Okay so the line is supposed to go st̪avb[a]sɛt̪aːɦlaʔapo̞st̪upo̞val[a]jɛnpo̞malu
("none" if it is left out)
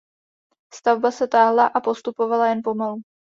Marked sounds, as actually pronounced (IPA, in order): a, a

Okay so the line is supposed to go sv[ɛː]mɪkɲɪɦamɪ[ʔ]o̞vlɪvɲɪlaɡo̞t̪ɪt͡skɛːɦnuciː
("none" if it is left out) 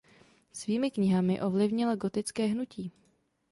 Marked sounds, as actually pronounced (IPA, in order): iː, ʔ

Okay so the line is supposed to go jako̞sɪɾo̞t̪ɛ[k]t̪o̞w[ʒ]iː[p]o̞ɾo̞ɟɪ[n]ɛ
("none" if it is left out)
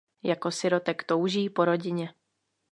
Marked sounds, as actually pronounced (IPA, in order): k, ʒ, p, ɲ

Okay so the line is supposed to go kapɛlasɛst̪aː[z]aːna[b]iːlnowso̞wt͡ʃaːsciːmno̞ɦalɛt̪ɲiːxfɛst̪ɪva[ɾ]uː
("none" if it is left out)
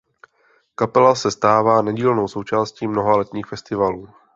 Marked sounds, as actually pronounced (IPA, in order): v, ɟ, l

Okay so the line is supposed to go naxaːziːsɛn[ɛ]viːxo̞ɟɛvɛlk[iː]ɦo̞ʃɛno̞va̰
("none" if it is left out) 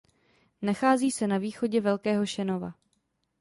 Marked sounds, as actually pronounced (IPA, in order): a, ɛː

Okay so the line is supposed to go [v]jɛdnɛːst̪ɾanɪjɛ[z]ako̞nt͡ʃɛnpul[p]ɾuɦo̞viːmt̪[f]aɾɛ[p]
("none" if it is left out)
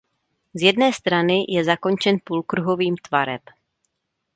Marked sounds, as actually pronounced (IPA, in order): z, z, k, v, p

